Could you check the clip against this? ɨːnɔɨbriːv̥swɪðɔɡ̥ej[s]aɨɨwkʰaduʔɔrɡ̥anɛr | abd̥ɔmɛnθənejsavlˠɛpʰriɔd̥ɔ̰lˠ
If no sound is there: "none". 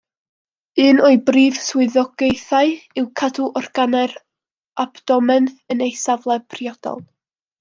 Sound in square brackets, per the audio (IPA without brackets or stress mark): θ